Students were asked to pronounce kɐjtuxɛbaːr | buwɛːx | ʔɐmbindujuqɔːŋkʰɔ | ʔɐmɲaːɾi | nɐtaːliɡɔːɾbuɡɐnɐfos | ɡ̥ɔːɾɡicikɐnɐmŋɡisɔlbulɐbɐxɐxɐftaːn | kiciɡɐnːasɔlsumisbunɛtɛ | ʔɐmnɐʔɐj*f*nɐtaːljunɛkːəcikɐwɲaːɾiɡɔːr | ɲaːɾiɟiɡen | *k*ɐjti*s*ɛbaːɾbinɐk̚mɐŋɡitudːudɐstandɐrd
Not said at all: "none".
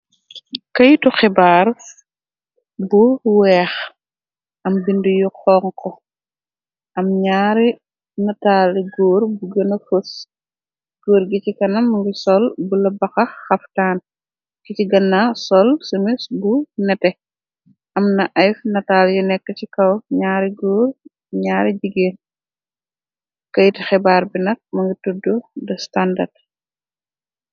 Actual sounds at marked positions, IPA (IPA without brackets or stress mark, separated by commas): f, k, x